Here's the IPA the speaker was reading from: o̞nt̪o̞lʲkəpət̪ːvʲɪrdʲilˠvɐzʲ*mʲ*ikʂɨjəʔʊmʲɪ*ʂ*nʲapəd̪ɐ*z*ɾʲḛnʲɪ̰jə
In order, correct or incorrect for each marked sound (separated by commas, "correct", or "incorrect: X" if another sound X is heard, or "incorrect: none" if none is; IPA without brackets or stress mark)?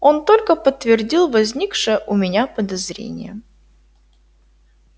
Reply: incorrect: nʲ, incorrect: none, correct